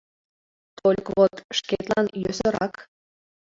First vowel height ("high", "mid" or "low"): mid